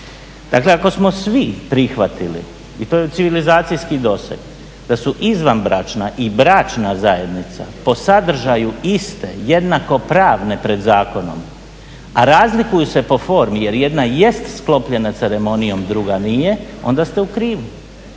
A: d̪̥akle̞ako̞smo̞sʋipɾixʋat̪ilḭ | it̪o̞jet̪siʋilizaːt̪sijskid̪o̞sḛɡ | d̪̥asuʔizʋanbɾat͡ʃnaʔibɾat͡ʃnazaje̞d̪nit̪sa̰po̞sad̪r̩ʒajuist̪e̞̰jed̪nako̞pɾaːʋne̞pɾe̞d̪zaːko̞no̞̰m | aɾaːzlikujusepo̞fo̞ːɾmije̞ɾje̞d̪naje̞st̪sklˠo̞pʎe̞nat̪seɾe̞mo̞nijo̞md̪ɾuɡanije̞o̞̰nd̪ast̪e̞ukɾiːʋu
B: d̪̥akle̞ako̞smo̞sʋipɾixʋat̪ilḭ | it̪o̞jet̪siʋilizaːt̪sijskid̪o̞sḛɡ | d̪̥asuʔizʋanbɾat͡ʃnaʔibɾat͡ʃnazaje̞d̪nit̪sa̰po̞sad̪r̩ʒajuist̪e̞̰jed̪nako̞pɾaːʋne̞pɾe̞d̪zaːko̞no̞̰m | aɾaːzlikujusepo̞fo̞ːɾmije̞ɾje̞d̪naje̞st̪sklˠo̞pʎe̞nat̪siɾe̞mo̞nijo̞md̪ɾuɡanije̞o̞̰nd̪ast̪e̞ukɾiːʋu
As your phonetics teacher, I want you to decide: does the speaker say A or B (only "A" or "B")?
A